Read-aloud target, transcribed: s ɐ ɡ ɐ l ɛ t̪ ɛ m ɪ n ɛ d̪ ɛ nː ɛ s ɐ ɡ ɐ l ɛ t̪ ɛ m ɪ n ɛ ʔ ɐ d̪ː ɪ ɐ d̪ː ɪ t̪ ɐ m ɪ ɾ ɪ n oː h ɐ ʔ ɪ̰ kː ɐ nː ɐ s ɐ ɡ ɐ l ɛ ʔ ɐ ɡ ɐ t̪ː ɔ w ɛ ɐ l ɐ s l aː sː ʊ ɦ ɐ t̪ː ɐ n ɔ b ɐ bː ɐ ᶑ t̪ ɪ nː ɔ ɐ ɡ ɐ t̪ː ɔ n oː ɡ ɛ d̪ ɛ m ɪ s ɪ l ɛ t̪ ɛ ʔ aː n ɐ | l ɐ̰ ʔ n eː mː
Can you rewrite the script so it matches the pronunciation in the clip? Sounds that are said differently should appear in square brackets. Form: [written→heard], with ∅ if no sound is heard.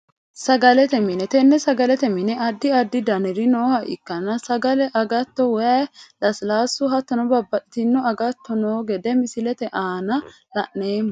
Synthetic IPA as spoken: s ɐ ɡ ɐ l ɛ t̪ ɛ m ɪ n ɛ [d̪→t̪] ɛ nː ɛ s ɐ ɡ ɐ l ɛ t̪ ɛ m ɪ n ɛ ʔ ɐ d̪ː ɪ ɐ d̪ː ɪ [t̪→d̪] ɐ [m→n] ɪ ɾ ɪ n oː h ɐ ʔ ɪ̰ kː ɐ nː ɐ s ɐ ɡ ɐ l ɛ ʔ ɐ ɡ ɐ t̪ː ɔ w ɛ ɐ l ɐ s l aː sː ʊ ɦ ɐ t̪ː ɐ n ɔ b ɐ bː ɐ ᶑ t̪ ɪ nː ɔ ɐ ɡ ɐ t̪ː ɔ n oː ɡ ɛ d̪ ɛ m ɪ s ɪ l ɛ t̪ ɛ ʔ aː n ɐ | l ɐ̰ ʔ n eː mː